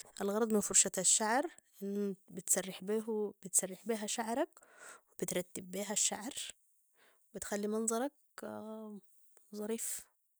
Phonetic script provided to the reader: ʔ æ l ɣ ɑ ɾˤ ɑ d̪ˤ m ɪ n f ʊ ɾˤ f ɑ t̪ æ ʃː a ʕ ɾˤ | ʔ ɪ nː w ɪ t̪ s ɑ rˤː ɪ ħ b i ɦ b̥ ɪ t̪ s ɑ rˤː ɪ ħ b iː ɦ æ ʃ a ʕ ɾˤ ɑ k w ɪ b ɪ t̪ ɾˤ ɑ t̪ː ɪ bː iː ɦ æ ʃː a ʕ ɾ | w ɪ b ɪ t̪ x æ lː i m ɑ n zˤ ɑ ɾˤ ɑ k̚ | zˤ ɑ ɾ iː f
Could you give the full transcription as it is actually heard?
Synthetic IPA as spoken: ʔ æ l ɣ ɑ ɾˤ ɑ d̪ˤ m ɪ n f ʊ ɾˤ ʃ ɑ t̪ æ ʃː a ʕ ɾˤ | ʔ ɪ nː b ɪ t̪ s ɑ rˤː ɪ ħ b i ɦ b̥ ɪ t̪ s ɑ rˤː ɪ ħ b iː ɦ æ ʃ a ʕ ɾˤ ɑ k w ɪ b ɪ t̪ ɾˤ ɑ t̪ː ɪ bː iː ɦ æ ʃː a ʕ ɾ | w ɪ b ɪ t̪ x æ lː i m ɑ n zˤ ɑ ɾˤ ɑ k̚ | zˤ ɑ ɾ iː f

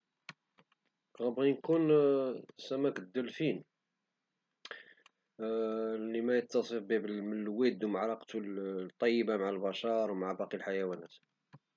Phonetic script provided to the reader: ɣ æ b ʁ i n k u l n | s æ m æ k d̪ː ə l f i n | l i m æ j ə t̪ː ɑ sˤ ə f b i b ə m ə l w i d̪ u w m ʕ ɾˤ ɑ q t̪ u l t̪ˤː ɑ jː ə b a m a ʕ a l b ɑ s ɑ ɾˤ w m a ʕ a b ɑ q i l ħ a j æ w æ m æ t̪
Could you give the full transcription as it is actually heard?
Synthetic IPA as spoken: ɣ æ b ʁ i n k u n | s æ m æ k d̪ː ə l f i n | l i m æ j ə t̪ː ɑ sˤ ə f b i b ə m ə l w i d̪ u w m ʕ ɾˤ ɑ q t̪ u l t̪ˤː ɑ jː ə b a m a ʕ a l b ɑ ʃ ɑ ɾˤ w m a ʕ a b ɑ q i l ħ a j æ w æ n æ t̪

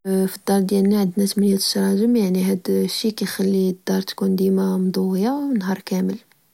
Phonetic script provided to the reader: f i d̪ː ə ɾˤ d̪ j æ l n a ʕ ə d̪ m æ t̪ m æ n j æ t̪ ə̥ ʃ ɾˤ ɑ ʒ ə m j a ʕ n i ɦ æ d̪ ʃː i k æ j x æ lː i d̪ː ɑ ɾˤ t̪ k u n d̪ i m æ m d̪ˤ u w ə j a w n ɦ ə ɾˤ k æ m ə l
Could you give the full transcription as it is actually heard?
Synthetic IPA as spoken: f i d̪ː ɑ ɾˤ d̪ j æ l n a ʕ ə d̪ n æ t̪ m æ n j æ t̪ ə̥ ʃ ɾˤ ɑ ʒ ə m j a ʕ n i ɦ æ d̪ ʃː i k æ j x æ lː i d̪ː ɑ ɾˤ t̪ k u n d̪ i m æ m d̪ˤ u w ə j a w n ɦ ɑ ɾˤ k æ m ə l

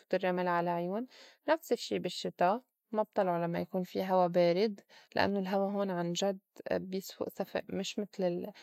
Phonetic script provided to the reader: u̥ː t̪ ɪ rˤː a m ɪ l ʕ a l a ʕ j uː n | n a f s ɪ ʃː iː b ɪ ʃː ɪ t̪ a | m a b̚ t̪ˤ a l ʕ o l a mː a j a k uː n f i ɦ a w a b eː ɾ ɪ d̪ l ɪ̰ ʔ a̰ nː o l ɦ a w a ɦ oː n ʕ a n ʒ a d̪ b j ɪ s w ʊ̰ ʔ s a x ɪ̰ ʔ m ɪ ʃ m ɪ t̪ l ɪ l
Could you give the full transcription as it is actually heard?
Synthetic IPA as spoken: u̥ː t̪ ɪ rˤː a m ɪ l ʕ a l a ʕ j uː n | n a f s ɪ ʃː iː b ɪ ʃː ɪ t̪ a | m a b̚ t̪ˤ ɑ l ʕ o l a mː a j a k uː n f i ɦ a w a b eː ɾ ɪ d̪ l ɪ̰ ʔ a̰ nː o l ɦ a w a ɦ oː n ʕ a n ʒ a d̪ b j ɪ s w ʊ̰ ʔ s a f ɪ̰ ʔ m ɪ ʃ m ɪ t̪ l ɪ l

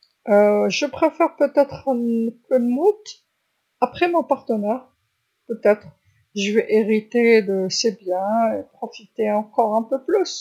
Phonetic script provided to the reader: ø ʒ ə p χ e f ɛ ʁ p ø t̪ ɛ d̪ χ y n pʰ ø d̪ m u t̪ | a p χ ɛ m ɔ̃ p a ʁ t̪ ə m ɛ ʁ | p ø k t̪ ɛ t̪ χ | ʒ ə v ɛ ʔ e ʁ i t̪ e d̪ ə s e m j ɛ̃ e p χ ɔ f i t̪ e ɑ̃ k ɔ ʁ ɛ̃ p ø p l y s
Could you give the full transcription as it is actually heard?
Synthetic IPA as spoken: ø ʒ ə p χ e f ɛ ʁ p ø t̪ ɛ t̪ χ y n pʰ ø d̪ m u t̪ | a p χ ɛ m ɔ̃ p a ʁ t̪ ə n ɛ ʁ | p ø t̪ ɛ t̪ χ | ʒ ə v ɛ ʔ e ʁ i t̪ e d̪ ə s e b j ɛ̃ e p χ ɔ f i t̪ e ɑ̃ k ɔ ʁ ɛ̃ p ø p l y s

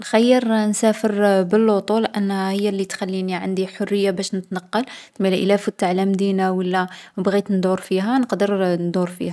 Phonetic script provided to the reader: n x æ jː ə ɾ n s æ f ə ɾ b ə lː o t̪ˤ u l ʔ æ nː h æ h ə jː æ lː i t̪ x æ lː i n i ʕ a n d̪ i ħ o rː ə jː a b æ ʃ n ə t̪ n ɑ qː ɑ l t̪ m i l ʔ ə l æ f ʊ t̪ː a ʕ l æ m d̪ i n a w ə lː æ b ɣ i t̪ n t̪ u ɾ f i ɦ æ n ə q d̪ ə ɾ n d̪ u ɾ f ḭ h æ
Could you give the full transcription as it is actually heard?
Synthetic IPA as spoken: n x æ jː ə ɾ n s æ f ə ɾ b ə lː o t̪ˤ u l ʔ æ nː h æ h ə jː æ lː i t̪ x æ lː i n i ʕ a n d̪ i ħ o rː ə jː a b æ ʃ n ə t̪ n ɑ qː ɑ l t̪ m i l ʔ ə l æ f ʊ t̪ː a ʕ l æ m d̪ i n a w ə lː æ b ɣ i t̪ n d̪ u ɾ f i ɦ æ n ə q d̪ ə ɾ n d̪ u ɾ f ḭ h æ

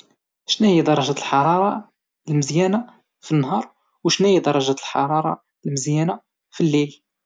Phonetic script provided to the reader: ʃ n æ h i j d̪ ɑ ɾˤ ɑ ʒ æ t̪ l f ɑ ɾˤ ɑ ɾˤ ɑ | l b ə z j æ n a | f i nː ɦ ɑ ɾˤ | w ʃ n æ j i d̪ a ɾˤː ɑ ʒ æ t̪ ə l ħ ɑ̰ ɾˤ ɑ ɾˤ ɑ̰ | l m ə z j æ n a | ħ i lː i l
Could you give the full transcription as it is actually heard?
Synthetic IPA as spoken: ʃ n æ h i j d̪ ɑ ɾˤ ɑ ʒ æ t̪ l ħ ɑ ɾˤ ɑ ɾˤ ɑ | l m ə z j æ n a | f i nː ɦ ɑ ɾˤ | w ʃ n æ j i d̪ ɑ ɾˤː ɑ ʒ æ t̪ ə l ħ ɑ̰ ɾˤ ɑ ɾˤ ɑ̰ | l m ə z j æ n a | f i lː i l

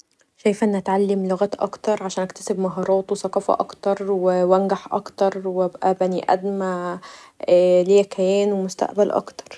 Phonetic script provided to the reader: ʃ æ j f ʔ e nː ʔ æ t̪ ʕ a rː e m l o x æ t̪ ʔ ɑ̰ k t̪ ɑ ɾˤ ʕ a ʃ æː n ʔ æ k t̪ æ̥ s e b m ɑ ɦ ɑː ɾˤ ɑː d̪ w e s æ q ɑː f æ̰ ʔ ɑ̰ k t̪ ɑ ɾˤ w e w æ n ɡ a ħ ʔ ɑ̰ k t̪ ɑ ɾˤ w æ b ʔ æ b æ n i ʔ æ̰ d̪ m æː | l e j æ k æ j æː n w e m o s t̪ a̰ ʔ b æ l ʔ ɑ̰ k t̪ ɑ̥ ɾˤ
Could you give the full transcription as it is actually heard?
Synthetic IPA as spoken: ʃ æ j f ʔ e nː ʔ æ t̪ ʕ a lː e m l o ɣ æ t̪ ʔ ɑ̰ k t̪ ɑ ɾˤ ʕ a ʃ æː n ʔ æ k t̪ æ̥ s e b m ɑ ɦ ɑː ɾˤ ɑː t̪ w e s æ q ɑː f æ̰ ʔ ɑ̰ k t̪ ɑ ɾˤ w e w æ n ɡ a ħ ʔ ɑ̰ k t̪ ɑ ɾˤ w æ b ʔ æ b æ n i ʔ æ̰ d̪ m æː | l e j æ k æ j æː n w e m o s t̪ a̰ ʔ b æ l ʔ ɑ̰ k t̪ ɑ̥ ɾˤ

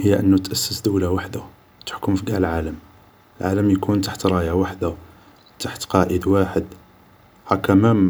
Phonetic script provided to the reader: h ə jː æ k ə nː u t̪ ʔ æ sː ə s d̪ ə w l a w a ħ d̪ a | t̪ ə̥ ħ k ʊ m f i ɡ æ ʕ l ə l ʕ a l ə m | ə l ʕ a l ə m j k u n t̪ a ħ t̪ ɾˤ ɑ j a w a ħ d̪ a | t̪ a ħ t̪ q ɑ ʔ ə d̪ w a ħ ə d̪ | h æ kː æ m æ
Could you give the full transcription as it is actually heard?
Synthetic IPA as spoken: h ə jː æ ʔ ə nː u t̪ ʔ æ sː ə s d̪ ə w l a w a ħ d̪ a | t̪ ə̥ ħ k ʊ m f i ɡ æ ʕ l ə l ʕ a l ə m | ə l ʕ a l ə m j k u n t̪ a ħ t̪ ɾˤ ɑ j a w a ħ d̪ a | t̪ a ħ t̪ q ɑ ʔ ə d̪ w a ħ ə d̪ | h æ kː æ m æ

